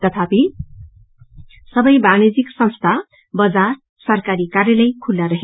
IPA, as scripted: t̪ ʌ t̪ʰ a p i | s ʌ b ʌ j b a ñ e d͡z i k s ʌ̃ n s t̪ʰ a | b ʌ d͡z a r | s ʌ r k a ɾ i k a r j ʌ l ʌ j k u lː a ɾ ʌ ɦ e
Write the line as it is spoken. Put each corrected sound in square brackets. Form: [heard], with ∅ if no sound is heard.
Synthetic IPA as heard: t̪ ʌ t̪ʰ a p i | s ʌ b ʌ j b a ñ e d͡z i k s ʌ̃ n s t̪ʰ a | b ʌ d͡z a r | s ʌ r k a ɾ i k a r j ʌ l ʌ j [kʰ] u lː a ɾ ʌ ɦ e